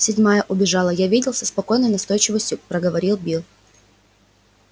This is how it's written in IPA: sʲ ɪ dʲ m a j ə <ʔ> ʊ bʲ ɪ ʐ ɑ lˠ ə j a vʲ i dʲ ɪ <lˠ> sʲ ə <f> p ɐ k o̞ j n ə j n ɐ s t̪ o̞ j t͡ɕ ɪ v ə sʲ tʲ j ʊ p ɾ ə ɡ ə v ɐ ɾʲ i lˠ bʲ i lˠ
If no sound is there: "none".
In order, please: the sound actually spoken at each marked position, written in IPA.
ʔ, lˠ, s

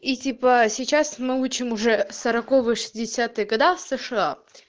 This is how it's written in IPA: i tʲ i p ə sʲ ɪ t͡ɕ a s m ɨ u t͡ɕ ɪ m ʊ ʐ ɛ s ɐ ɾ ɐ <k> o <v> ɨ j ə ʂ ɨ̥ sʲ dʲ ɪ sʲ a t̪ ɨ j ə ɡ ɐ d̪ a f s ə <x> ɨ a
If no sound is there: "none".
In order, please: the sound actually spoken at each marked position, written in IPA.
k, v, ʂ

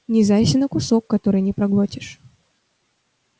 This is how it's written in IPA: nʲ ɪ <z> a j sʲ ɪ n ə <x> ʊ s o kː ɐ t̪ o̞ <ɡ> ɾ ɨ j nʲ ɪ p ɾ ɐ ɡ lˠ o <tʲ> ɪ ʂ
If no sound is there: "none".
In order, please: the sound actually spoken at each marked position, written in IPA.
z, k, none, tʲ

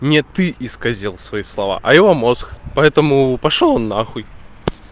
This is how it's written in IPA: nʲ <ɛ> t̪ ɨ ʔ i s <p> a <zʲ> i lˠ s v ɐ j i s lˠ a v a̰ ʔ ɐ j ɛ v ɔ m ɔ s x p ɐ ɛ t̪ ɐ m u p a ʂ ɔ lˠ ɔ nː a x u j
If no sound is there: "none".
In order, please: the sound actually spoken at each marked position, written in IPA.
ɛ, k, zʲ

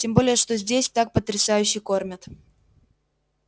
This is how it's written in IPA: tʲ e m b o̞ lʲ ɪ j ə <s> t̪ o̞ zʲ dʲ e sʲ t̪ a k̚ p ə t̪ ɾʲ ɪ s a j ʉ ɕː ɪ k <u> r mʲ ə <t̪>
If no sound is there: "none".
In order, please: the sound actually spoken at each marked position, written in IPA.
ʂ, o, t̪

